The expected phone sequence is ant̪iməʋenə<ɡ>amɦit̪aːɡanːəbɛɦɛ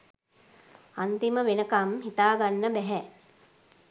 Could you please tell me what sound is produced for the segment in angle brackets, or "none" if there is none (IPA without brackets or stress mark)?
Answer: k